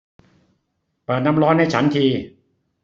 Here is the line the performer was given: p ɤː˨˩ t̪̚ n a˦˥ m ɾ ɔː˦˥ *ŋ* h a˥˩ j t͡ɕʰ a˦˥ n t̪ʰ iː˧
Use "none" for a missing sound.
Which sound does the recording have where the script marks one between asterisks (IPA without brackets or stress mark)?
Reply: n